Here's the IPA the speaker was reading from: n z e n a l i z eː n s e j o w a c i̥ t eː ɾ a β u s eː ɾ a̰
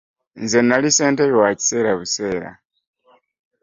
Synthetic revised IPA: n z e n a l i s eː n t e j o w a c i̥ s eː ɾ a β u s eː ɾ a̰